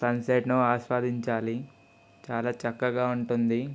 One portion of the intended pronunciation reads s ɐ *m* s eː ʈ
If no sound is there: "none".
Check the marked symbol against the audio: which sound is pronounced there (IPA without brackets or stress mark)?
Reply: n